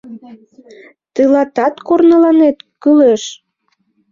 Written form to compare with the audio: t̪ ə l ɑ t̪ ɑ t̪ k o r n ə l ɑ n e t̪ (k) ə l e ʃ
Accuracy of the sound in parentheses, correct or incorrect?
correct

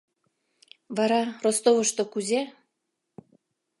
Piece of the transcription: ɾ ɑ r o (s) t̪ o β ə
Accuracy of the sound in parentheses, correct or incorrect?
correct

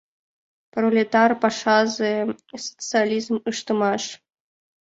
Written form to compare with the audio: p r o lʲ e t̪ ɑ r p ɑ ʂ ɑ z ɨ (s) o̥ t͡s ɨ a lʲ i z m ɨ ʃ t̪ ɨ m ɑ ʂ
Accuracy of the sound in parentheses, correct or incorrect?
correct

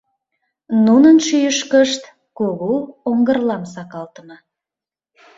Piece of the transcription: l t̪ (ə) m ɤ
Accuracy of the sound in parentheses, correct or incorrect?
correct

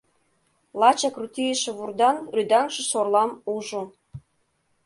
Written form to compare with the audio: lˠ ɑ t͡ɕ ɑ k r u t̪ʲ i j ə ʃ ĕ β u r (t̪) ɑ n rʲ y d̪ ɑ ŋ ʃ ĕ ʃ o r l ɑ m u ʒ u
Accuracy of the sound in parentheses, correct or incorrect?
incorrect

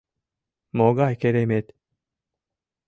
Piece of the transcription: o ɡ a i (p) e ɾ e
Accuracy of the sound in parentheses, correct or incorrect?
incorrect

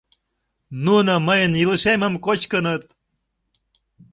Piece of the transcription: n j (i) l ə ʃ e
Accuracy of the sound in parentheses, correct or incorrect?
correct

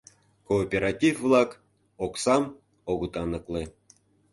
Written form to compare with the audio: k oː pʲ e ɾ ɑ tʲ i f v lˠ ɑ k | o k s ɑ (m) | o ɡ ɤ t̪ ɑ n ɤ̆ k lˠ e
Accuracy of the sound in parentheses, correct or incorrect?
correct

